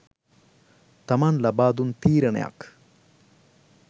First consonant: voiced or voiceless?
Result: voiceless